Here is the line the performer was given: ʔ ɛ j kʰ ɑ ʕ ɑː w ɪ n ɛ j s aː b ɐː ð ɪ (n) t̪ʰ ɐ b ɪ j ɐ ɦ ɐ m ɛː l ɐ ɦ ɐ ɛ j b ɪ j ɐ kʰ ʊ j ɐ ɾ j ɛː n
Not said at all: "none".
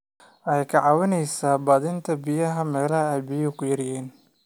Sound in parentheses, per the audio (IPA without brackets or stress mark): n